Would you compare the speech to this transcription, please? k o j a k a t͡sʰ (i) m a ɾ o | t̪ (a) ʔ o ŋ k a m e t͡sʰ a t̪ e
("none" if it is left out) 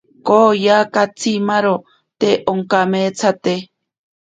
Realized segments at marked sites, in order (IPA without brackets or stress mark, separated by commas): i, e